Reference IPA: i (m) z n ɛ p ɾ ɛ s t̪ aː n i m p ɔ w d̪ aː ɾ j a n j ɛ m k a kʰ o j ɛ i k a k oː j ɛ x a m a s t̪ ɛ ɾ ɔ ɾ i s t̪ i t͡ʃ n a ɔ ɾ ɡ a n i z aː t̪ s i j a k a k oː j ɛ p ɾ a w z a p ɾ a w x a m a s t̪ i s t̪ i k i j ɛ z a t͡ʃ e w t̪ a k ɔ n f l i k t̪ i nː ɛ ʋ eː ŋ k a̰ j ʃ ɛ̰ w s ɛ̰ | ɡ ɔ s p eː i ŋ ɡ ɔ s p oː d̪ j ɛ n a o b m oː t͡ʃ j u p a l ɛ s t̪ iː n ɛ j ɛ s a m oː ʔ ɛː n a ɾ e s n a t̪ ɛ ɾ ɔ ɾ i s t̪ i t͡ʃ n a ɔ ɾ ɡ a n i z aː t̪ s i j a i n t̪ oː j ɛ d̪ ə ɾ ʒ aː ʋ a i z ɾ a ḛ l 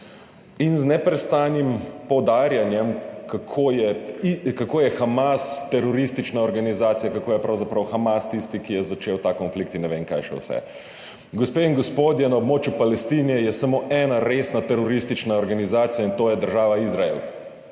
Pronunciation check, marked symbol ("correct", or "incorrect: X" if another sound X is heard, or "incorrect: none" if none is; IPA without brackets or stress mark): incorrect: n